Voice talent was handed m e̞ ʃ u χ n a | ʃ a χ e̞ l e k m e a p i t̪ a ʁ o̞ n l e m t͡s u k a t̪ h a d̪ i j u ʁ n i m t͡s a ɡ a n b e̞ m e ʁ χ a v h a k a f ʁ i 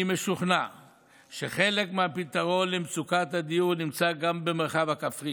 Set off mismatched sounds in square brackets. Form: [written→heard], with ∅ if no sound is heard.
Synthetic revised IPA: m e̞ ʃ u χ n a | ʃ [a→e] χ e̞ l e k m e a p i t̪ a ʁ o̞ n l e m t͡s u k a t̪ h a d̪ i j u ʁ n i m t͡s a ɡ a [n→m] b e̞ m e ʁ χ a v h a k a f ʁ i